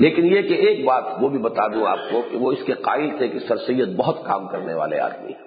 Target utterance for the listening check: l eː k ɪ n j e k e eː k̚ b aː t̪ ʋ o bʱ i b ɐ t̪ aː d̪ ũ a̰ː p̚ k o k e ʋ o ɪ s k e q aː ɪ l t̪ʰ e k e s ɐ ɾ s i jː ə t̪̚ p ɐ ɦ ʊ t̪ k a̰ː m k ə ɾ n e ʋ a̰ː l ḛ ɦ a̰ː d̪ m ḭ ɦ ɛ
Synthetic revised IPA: l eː k ɪ n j e k e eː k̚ b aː t̪ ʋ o bʱ i b ɐ t̪ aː d̪ ũ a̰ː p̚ k o k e ʋ o ɪ s k e q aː ɪ l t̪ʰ e k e s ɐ ɾ s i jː ə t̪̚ b ɐ ɦ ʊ t̪ k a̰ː m k ɐ ɾ n e ʋ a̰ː l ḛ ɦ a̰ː d̪ m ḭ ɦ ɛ